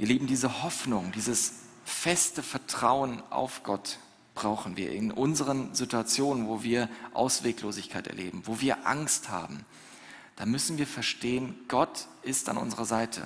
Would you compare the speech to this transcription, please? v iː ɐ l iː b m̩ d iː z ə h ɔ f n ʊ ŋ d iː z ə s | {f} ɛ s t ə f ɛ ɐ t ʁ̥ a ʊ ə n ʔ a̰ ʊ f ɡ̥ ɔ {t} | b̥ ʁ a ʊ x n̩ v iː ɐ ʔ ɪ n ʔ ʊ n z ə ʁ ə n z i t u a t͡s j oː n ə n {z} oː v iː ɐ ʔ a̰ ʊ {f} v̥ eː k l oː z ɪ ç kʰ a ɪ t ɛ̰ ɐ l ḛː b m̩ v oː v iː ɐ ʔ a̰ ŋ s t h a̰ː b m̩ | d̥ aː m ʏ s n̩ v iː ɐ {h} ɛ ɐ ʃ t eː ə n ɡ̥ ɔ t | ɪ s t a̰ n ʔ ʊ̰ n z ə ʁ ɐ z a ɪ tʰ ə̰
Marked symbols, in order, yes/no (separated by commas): yes, yes, no, no, no